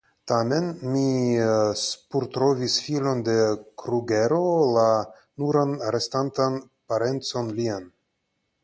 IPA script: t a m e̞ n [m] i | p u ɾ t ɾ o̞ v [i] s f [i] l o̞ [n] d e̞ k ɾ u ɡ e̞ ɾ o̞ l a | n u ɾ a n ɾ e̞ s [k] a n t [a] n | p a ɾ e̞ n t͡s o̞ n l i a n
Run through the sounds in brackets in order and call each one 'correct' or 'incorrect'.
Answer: correct, correct, correct, correct, incorrect: t, correct

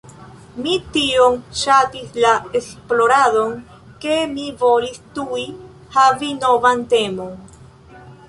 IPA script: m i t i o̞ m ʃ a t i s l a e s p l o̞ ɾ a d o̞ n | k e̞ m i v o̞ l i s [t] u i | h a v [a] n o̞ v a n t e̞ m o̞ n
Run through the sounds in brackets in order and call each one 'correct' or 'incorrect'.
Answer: correct, incorrect: i

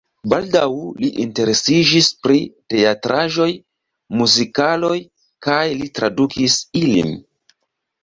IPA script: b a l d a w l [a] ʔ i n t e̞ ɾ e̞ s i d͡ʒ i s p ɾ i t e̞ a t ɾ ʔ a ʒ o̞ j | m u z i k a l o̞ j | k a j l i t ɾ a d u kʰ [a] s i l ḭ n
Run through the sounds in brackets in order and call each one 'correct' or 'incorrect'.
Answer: incorrect: i, incorrect: i

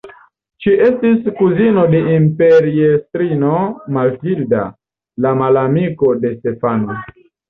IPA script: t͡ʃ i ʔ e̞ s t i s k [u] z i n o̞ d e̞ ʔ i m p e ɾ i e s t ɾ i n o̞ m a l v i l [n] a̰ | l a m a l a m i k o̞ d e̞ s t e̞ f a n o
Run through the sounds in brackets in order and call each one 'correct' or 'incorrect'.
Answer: correct, incorrect: d

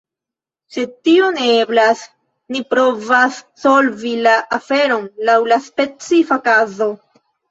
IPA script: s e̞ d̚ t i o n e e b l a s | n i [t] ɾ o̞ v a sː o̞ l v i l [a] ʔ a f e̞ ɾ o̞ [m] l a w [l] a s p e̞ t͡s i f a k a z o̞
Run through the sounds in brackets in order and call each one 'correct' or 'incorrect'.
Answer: incorrect: p, correct, incorrect: n, correct

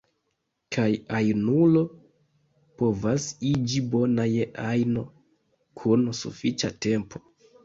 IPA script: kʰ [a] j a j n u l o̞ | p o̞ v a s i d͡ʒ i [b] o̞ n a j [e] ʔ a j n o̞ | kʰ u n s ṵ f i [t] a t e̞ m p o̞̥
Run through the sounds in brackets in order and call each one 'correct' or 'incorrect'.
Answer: correct, correct, correct, incorrect: t͡ʃ

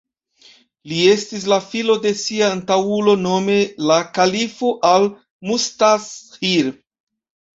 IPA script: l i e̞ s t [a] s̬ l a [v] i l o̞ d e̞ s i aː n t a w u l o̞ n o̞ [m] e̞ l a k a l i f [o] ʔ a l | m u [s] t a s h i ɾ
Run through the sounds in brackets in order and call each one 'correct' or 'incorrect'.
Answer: incorrect: i, incorrect: f, correct, correct, correct

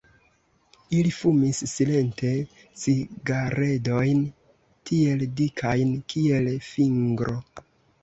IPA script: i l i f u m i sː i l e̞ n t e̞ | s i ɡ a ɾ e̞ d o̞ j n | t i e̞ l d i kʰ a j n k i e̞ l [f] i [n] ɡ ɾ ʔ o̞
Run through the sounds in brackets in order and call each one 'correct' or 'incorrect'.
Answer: correct, incorrect: ŋ

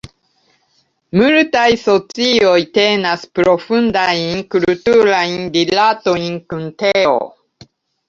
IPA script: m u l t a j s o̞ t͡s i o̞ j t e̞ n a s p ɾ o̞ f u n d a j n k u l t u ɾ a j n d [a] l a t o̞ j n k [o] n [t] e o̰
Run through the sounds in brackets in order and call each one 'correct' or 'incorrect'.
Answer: incorrect: i, incorrect: u, correct

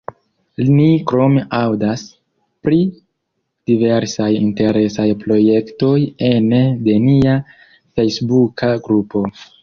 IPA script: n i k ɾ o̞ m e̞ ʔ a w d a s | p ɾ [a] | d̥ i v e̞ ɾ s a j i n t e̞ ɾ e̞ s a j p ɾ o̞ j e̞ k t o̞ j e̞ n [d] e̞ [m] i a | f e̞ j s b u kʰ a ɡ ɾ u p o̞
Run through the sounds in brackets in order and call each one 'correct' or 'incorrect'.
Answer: incorrect: i, correct, incorrect: n

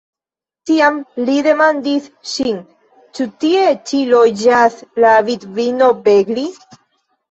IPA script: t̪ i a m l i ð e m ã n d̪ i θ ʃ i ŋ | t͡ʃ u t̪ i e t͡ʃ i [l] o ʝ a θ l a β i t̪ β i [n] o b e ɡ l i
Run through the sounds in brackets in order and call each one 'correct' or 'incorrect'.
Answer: correct, correct

